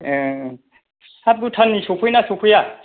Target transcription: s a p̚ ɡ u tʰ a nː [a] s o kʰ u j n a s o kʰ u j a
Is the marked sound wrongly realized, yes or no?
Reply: yes